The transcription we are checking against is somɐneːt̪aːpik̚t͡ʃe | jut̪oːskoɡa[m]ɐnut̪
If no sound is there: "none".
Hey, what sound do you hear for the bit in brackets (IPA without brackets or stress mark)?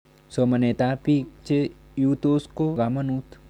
m